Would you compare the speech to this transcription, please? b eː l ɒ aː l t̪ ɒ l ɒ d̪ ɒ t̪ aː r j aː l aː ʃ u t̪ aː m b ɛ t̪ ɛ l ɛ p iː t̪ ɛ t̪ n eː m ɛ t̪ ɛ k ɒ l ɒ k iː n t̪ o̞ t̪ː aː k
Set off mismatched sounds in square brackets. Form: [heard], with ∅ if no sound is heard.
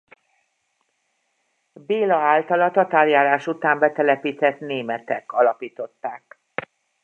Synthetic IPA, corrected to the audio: b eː l ɒ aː l t̪ ɒ l ɒ [t̪] ɒ t̪ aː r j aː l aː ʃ u t̪ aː m b ɛ t̪ ɛ l ɛ p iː t̪ ɛ t̪ n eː m ɛ t̪ ɛ k ɒ l ɒ [p] iː [∅] t̪ o̞ t̪ː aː k